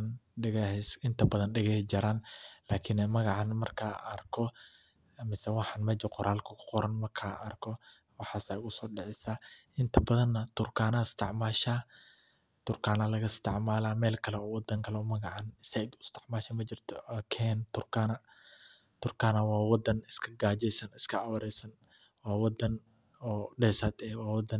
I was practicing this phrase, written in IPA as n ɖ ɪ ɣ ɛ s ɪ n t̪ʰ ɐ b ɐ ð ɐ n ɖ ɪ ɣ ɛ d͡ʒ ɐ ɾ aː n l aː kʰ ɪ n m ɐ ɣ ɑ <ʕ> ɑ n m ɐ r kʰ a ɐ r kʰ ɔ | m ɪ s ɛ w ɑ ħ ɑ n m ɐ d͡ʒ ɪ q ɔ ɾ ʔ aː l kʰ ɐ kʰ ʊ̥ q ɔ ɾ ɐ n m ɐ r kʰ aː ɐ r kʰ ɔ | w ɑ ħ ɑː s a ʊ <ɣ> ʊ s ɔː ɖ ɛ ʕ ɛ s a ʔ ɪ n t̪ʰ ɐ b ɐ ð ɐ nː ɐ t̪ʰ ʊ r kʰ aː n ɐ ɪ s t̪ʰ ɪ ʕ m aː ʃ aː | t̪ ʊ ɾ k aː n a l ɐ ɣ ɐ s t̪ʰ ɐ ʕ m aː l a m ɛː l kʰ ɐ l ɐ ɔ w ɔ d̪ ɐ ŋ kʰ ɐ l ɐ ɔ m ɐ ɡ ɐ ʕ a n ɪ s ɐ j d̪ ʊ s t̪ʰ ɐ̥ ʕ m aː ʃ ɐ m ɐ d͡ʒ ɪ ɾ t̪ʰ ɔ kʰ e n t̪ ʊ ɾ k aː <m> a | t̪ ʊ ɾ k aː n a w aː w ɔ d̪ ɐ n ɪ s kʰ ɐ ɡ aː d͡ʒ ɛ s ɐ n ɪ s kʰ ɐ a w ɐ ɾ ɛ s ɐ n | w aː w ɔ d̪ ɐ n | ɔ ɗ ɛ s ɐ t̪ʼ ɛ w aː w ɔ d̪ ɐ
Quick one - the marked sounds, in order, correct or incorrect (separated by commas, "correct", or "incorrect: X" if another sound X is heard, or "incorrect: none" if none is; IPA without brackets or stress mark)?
correct, correct, incorrect: n